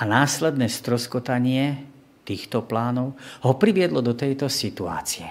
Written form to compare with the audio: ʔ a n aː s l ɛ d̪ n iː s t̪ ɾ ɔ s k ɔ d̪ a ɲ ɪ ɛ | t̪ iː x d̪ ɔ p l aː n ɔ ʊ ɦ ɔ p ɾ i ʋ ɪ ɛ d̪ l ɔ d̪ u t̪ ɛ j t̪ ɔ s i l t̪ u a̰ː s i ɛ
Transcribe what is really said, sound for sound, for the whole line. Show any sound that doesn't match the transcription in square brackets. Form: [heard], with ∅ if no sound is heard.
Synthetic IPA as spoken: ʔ a n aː s l ɛ d̪ n [ɛː] s t̪ ɾ ɔ s k ɔ [t̪] a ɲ ɪ ɛ | t̪ iː x [t̪] ɔ p l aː n ɔ ʊ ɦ ɔ p ɾ i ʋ ɪ ɛ d̪ l ɔ d̪ [ɔ] t̪ ɛ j t̪ ɔ s i [∅] t̪ u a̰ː [t͡s] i ɛ